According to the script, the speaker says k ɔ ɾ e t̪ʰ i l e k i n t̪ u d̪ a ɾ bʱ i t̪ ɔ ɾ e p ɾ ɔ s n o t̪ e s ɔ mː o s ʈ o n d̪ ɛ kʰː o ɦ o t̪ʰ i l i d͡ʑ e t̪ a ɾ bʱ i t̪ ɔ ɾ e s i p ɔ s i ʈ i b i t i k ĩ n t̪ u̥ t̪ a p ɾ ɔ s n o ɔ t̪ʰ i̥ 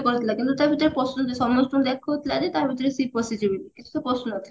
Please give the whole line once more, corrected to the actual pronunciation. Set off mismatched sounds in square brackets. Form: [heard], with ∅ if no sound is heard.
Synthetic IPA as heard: k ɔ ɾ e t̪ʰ i l [a] k i n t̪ u [t̪] a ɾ bʱ i t̪ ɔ ɾ e p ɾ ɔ s n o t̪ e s ɔ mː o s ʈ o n d̪ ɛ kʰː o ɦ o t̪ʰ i l [a] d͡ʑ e t̪ a ɾ bʱ i t̪ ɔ ɾ e s i p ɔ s i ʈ i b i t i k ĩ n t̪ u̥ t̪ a p ɾ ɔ s n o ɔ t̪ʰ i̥

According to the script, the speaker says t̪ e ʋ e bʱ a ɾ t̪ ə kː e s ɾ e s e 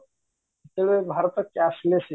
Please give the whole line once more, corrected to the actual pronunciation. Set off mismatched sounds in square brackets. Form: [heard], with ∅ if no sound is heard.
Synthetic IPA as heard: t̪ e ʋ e bʱ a ɾ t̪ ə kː [a] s [l] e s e

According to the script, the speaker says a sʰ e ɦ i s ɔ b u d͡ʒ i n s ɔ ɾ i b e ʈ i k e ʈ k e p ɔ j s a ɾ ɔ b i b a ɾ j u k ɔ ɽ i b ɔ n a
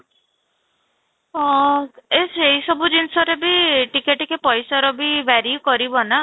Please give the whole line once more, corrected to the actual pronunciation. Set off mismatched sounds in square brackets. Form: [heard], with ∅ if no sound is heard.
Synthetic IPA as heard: [e] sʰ e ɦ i s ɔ b u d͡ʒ i n s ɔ ɾ [e] b [i] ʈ i k e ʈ k e p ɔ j s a ɾ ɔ b i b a ɾ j u k ɔ [ɾ] i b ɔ n a

